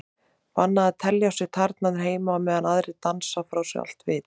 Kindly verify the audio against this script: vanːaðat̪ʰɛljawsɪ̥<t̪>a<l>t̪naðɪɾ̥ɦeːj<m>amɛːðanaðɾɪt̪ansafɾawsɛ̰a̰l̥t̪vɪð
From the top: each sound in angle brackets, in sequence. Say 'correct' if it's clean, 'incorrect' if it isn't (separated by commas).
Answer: incorrect, incorrect, correct